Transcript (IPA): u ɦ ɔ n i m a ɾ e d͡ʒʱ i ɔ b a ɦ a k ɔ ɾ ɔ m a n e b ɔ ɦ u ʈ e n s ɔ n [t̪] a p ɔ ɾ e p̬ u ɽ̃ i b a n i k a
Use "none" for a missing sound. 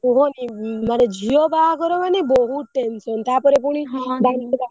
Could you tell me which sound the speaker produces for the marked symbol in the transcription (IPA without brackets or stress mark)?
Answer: t̪